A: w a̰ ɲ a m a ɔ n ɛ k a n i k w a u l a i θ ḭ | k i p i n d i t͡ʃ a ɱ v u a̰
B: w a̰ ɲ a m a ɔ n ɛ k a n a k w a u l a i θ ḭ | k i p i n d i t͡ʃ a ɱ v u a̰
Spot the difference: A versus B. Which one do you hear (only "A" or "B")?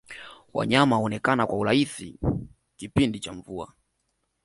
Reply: B